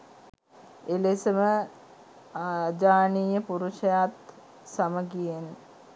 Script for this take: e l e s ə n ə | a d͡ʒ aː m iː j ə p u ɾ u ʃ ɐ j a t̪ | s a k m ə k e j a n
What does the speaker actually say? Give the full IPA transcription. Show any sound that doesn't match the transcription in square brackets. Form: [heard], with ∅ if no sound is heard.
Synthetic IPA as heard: e l e s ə [m] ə | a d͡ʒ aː [n] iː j ə p u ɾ u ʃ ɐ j a t̪ | s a [∅] m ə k [i] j [e] n

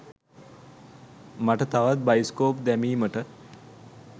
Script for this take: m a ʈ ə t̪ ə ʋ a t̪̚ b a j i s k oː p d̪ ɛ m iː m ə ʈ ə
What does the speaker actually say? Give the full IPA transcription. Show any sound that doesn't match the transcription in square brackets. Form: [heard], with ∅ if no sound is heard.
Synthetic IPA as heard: m a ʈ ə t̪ [a] ʋ a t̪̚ b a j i s k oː p d̪ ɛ m iː m ə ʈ ə

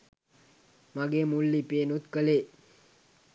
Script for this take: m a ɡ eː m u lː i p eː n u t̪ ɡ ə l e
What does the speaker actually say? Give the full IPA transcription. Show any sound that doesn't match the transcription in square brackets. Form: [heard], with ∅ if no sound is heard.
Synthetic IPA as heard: m a ɡ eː m u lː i p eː n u t̪ [k] ə l e

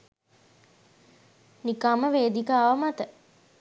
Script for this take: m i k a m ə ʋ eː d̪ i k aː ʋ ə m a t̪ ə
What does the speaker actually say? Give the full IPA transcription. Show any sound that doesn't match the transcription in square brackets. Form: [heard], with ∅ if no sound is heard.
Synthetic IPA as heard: [n] i k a m ə ʋ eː d̪ i k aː ʋ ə m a t̪ ə

